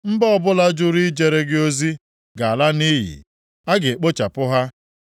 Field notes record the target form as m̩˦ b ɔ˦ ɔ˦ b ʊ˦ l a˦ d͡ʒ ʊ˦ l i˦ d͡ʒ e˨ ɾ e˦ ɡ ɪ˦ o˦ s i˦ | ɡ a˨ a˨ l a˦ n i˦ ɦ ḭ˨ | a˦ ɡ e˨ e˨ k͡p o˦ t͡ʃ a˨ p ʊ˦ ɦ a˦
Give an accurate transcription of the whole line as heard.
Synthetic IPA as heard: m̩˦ b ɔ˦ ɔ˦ b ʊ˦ l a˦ d͡ʒ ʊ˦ ɾ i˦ d͡ʒ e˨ ɾ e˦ ɡ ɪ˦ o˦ z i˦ | ɡ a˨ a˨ l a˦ n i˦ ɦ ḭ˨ | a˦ ɡ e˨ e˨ k͡p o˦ t͡ʃ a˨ p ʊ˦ ɦ a˦